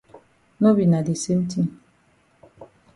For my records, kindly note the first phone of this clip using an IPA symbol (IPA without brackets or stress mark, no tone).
n